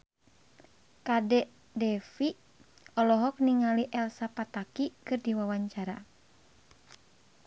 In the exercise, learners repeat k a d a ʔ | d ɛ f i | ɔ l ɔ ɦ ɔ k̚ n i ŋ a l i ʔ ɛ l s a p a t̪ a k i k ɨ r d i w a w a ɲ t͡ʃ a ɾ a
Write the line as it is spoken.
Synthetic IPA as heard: k a d ɛ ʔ | d ɛ f i | ɔ l ɔ ɦ ɔ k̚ n i ŋ a l i ʔ ɛ l s a p a t̪ a k i k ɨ r d i w a w a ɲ t͡ʃ a ɾ a